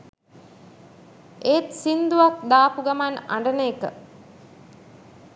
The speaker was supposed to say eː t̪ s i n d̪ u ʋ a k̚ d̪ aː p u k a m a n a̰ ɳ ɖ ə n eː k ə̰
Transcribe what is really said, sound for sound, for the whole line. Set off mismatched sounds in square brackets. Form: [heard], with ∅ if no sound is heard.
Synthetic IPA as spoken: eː t̪ s i n d̪ u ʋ a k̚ d̪ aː p u [ɡ] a m a n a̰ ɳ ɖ ə n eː k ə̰